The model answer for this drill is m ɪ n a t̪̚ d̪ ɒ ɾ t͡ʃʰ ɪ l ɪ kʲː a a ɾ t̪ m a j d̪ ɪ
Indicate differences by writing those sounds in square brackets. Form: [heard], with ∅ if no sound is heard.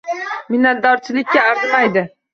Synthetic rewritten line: m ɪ n a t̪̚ d̪ ɒ ɾ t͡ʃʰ ɪ l ɪ kʲː a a ɾ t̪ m a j d̪ ɪ